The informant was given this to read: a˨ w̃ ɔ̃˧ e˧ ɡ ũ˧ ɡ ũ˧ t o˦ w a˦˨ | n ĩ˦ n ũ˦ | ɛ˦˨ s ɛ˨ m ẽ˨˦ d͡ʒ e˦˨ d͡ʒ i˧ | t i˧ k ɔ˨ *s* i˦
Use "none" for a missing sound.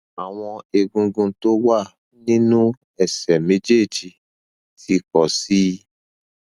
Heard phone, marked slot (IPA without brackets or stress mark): s